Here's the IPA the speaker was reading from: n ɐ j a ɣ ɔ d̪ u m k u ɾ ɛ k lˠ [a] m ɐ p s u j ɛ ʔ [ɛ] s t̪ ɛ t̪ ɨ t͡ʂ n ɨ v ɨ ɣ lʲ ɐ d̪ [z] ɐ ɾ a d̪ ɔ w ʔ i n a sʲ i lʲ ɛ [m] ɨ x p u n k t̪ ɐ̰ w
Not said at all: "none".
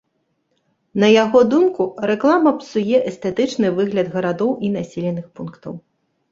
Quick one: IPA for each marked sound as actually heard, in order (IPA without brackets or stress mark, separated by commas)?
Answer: a, ɛ, ɣ, n